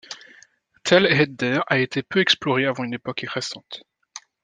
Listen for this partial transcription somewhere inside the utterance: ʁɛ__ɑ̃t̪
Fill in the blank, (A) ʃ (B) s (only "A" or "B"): B